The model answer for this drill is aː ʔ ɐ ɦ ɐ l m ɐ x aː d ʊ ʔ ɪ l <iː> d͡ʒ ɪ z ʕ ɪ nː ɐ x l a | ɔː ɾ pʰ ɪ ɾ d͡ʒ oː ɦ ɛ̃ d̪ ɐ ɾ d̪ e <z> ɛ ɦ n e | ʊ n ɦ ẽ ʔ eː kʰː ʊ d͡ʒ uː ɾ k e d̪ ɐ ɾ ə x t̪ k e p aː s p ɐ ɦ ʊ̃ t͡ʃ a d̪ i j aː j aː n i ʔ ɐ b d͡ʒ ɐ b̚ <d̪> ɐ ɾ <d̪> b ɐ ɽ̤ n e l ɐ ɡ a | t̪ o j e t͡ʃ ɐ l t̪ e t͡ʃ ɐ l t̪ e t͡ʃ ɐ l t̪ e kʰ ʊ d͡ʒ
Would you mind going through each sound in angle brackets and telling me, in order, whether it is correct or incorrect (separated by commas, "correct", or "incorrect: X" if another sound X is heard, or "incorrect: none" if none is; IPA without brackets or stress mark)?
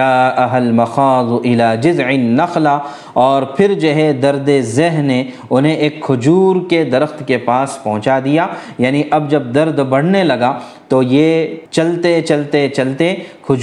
incorrect: aː, correct, correct, correct